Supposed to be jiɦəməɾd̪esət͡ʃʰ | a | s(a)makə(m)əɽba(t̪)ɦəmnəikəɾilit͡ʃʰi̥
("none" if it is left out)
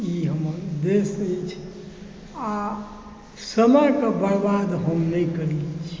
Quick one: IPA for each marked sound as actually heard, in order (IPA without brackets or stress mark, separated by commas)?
ə, b, d̪